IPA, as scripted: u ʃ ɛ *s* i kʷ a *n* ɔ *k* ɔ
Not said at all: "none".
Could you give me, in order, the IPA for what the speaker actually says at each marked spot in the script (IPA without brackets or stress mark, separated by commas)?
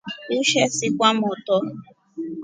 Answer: s, m, t